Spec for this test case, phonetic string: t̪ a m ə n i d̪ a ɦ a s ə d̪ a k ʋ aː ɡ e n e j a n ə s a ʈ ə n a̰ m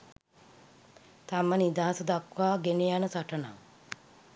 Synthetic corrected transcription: t̪ a m ə n i d̪ a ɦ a s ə d̪ a k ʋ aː ɡ e n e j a n ə s a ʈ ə n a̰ ŋ